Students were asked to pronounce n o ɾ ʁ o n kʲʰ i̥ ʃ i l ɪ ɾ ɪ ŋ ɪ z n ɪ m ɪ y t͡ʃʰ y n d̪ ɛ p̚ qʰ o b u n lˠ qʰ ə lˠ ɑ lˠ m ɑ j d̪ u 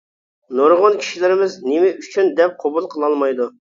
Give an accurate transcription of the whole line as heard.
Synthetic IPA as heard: n o ɾ ʁ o n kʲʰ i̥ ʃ i l ɪ ɾ ɪ m ɪ z n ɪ m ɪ y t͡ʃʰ y n d̪ ɛ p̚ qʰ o b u lˠ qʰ ə lˠ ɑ lˠ m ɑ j d̪ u